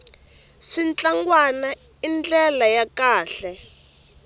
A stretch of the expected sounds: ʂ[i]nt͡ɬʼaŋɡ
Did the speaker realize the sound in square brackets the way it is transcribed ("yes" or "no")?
yes